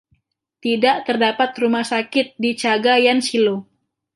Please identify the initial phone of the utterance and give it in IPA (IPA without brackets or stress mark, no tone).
t̪